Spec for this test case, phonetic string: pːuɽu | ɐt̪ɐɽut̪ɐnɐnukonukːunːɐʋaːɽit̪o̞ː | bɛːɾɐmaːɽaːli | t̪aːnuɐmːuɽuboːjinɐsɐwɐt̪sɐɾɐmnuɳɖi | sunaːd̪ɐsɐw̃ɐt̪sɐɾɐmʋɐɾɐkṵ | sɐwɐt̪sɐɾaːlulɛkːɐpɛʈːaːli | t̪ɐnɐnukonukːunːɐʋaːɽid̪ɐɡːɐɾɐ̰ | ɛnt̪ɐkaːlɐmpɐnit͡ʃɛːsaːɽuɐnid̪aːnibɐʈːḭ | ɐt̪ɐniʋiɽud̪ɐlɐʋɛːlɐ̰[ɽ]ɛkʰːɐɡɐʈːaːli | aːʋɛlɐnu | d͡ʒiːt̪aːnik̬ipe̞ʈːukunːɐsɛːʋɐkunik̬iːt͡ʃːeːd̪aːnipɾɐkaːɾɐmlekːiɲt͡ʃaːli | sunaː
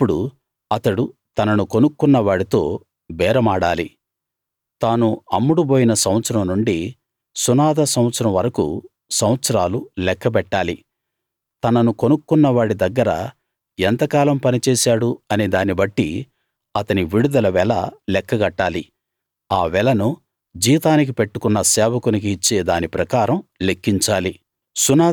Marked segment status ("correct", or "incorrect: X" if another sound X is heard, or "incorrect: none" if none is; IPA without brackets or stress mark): incorrect: l